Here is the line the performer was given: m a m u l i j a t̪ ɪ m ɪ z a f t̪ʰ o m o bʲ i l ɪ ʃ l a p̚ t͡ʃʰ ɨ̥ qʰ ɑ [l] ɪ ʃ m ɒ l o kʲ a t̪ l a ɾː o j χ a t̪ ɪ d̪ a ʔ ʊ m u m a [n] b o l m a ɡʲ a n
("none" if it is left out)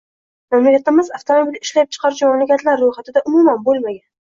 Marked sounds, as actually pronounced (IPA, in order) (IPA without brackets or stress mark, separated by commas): ɾ, n